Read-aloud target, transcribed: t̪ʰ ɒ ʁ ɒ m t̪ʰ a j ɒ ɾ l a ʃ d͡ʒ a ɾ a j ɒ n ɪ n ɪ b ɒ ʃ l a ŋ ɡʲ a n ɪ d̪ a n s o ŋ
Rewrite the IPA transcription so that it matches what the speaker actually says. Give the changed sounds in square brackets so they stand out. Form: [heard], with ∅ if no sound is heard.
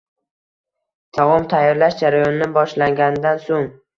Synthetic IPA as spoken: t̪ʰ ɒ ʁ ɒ m t̪ʰ a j ɒ ɾ l a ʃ d͡ʒ a ɾ a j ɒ n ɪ n ɪ b ɒ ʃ l a ŋ ɡʲ a n ɪ d̪ a n s o ŋ